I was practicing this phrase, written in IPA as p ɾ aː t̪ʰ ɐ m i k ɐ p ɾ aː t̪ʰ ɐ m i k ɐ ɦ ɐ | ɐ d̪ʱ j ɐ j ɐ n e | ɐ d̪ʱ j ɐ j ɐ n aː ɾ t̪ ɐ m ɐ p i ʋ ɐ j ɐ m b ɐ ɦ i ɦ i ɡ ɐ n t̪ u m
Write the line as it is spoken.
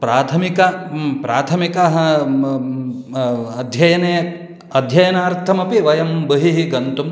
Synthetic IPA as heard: p ɾ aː t̪ʰ ɐ m i k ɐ p ɾ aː t̪ʰ ɐ m i k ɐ ɦ ɐ | ɐ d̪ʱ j ɐ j ɐ n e | ɐ d̪ʱ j ɐ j ɐ n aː ɾ t̪ʰ ɐ m ɐ p i ʋ ɐ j ɐ m b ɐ ɦ i ɦ i ɡ ɐ n t̪ u m